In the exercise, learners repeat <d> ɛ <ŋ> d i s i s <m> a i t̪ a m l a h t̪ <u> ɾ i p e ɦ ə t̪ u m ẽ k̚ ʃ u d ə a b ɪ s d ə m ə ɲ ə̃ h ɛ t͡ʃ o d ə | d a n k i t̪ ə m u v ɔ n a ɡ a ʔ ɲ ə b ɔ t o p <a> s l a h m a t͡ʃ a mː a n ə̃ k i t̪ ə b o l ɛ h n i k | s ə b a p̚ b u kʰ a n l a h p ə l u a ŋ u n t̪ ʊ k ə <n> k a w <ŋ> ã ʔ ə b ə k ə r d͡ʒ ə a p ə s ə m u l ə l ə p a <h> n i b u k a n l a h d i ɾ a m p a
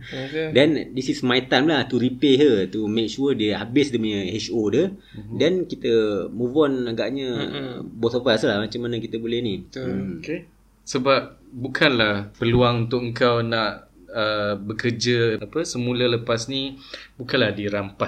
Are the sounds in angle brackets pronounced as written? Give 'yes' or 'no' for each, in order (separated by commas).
yes, no, yes, yes, yes, no, no, no